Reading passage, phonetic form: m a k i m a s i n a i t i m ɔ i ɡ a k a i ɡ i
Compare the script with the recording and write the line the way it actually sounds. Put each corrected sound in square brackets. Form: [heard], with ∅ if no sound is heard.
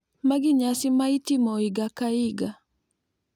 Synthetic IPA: m a [ɡ] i [ɲ] a s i [m] a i t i m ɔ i ɡ a k a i ɡ [a]